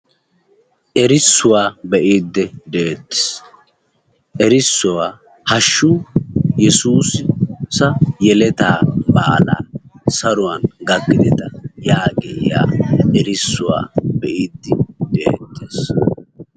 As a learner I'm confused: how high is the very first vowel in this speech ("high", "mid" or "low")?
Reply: mid